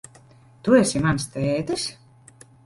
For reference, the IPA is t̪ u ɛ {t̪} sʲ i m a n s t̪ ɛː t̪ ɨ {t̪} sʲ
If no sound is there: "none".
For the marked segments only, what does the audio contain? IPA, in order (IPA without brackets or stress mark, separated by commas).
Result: none, none